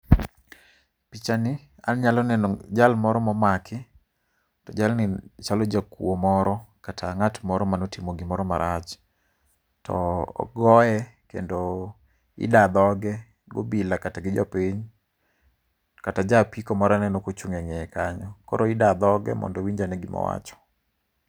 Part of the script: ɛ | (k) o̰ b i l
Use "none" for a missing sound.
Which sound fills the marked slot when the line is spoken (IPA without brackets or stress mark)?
ɡ